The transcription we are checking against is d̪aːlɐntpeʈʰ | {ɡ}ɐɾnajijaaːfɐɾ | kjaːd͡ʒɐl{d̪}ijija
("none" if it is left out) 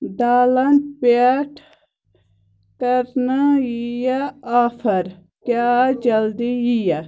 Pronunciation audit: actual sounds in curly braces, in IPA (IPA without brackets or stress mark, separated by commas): k, d̪